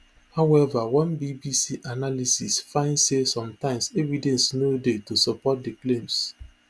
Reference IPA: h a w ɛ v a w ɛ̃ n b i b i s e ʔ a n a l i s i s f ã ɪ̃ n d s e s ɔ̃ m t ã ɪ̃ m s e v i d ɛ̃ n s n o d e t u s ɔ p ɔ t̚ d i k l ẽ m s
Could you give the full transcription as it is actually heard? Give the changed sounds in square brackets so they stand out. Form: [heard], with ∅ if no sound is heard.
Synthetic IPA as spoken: h a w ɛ v a w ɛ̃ n b i b i s [i] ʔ a n a l i s i s f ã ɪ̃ n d s e s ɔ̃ m t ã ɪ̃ m s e v i d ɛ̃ n s n o d e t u s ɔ p ɔ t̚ d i k l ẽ m s